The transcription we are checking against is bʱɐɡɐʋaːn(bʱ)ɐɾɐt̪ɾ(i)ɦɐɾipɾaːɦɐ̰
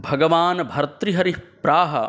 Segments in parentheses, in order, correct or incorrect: correct, correct

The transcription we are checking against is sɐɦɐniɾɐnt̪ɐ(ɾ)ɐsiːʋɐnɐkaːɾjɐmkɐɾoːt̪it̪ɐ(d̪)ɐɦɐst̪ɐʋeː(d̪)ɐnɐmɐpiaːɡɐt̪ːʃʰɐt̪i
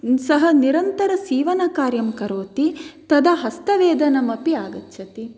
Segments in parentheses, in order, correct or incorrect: correct, correct, correct

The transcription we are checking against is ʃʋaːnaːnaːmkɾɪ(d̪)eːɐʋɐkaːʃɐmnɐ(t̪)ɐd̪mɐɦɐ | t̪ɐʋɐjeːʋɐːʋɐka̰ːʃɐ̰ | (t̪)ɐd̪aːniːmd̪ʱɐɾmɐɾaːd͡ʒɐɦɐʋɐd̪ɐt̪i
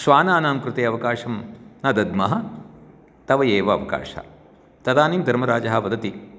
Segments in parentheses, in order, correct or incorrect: incorrect: t̪, incorrect: d̪, correct

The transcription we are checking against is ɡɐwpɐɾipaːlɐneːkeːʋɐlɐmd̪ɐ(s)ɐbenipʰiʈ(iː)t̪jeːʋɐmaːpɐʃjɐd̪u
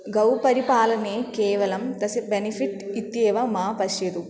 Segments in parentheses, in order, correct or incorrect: correct, incorrect: i

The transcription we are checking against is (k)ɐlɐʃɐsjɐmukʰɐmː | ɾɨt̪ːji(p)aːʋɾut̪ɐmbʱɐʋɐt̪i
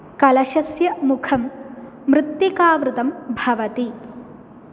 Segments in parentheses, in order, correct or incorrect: correct, incorrect: k

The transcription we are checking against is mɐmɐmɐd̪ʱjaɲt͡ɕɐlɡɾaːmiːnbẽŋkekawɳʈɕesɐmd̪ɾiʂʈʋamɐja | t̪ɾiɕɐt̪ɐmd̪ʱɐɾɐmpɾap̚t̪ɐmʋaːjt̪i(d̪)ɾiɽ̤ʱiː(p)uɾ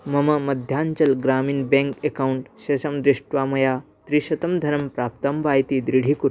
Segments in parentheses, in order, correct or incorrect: correct, incorrect: k

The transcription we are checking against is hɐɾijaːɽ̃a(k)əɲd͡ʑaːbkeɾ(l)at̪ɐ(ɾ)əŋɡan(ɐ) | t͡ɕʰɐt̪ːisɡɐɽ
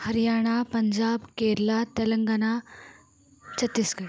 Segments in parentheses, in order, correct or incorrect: incorrect: p, correct, incorrect: l, incorrect: a

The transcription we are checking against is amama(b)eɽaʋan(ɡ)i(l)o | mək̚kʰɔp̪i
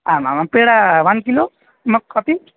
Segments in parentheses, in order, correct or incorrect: incorrect: p, incorrect: k, correct

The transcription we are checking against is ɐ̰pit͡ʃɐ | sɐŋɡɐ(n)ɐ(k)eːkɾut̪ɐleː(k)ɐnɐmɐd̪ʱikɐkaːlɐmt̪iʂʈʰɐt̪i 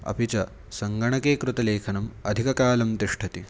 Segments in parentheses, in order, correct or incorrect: incorrect: ɳ, correct, incorrect: kʰ

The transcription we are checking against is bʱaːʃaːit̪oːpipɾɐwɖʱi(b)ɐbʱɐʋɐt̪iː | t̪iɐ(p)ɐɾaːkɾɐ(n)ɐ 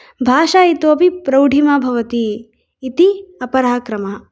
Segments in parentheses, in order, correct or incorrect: incorrect: m, correct, incorrect: m

